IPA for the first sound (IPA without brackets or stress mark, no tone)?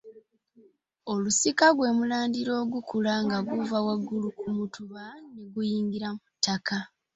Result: o̞